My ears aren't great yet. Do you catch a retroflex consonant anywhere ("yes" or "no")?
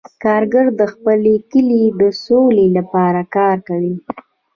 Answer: no